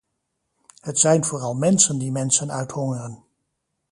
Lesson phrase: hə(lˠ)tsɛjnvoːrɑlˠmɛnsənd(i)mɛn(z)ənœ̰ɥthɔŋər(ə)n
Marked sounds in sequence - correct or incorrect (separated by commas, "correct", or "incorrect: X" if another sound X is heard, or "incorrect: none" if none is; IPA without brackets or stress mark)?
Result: incorrect: none, correct, incorrect: s, correct